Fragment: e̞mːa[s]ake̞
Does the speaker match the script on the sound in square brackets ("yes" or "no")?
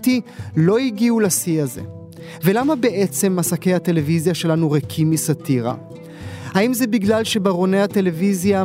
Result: yes